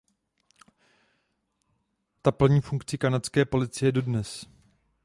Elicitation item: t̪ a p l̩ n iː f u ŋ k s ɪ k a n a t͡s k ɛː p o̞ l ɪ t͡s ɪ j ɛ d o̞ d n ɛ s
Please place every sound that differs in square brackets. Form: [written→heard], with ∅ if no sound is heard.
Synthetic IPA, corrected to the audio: t̪ a p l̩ [n→ɲ] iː f u ŋ k [s→t͡s] ɪ k a n a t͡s k ɛː p o̞ l ɪ t͡s ɪ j ɛ d o̞ d n ɛ s